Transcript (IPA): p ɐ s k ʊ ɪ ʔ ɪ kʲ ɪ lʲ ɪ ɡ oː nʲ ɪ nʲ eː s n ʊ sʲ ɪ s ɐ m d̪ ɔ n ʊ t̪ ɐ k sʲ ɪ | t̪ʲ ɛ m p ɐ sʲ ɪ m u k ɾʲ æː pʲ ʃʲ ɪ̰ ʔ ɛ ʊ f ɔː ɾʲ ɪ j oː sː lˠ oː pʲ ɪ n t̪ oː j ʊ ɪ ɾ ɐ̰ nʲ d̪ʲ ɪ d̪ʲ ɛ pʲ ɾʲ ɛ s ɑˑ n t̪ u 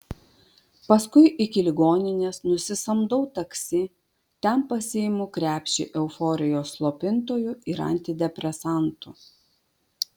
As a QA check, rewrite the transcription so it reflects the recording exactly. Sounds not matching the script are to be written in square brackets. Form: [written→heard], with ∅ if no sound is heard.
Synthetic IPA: p ɐ s k ʊ ɪ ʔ ɪ kʲ ɪ lʲ ɪ ɡ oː nʲ ɪ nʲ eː s n ʊ sʲ ɪ s ɐ m d̪ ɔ [n→∅] ʊ t̪ ɐ k sʲ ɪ | t̪ʲ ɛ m p ɐ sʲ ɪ m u k ɾʲ æː pʲ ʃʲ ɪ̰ ʔ ɛ ʊ f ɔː ɾʲ ɪ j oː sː lˠ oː pʲ ɪ n t̪ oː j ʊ ɪ ɾ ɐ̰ nʲ [d̪ʲ→t̪ʲ] ɪ d̪ʲ ɛ pʲ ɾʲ ɛ s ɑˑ n t̪ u